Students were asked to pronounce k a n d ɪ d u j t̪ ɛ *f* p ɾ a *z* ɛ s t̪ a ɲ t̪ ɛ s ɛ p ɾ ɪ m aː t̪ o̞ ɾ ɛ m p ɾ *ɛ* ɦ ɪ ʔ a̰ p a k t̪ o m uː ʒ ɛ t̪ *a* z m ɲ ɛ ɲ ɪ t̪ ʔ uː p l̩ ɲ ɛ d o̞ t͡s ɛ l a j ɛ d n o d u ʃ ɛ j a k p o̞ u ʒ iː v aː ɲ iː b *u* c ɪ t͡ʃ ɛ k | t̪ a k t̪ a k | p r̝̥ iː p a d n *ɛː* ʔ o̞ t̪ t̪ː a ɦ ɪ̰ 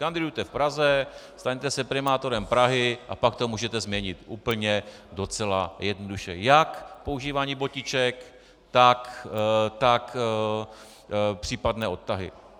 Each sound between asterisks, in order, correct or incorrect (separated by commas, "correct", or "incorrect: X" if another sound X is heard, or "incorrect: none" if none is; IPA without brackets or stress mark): correct, correct, incorrect: a, incorrect: ɛ, incorrect: o, correct